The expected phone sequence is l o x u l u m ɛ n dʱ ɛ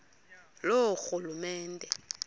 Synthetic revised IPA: l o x u l u m ɛː n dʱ ɛ